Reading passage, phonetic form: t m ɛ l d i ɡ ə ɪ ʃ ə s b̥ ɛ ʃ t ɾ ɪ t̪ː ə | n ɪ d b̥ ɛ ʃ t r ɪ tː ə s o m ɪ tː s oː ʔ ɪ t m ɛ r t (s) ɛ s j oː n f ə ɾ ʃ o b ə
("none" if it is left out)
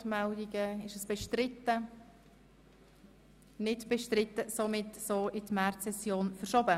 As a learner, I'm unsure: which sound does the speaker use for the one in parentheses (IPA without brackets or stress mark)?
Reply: s